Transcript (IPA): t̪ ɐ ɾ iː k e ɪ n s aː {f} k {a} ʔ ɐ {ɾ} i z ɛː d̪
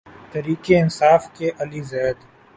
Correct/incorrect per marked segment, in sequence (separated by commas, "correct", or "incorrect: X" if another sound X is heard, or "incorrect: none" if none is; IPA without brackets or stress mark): correct, incorrect: e, incorrect: l